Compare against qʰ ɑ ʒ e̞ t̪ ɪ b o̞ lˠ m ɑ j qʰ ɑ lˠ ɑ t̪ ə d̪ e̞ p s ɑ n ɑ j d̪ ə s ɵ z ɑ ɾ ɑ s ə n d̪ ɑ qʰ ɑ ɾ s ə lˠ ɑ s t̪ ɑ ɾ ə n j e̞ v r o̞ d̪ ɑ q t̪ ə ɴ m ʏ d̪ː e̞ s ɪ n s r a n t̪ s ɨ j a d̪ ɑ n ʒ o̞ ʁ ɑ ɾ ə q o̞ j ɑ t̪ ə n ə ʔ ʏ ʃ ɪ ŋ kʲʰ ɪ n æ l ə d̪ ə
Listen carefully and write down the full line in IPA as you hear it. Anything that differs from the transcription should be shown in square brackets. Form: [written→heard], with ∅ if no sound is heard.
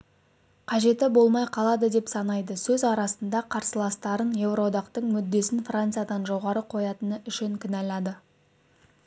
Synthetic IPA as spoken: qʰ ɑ ʒ e̞ t̪ ɪ b o̞ lˠ m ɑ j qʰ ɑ lˠ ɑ [t̪→d̪] ə d̪ e̞ p s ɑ n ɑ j d̪ ə s ɵ z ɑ ɾ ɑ s ə n d̪ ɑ qʰ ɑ ɾ s ə lˠ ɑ s t̪ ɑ ɾ ə n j e̞ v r o̞ d̪ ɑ q t̪ ə ɴ m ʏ d̪ː e̞ s ɪ n [s→f] r a n t̪ s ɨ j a d̪ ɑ n ʒ o̞ ʁ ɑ ɾ ə [q→qʰ] o̞ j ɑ t̪ ə n ə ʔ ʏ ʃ ɪ ŋ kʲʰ ɪ n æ l [ə→ɑ] d̪ ə